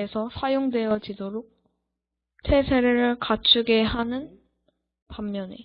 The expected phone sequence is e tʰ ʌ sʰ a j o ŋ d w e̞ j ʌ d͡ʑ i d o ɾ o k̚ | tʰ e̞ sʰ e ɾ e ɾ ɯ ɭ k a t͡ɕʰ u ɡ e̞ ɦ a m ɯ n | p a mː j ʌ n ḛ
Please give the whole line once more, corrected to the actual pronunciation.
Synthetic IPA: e sʰ ʌ sʰ a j o ŋ d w e̞ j ʌ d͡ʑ i d o ɾ o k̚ | tʰ e̞ sʰ e ɾ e ɾ ɯ ɭ k a t͡ɕʰ u ɡ e̞ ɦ a n ɯ n | p a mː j ʌ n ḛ